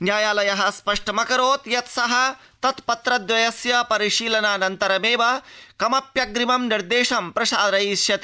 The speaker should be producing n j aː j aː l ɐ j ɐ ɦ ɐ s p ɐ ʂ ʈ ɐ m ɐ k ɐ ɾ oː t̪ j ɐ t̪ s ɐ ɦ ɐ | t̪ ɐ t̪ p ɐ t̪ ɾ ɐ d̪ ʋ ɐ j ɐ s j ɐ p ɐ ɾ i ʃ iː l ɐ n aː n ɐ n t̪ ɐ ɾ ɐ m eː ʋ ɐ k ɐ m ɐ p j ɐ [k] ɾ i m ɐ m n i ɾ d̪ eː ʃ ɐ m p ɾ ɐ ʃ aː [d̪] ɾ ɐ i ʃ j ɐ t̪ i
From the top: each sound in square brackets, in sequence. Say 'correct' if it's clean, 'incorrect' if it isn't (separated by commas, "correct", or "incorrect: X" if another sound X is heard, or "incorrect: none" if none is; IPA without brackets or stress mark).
incorrect: ɡ, correct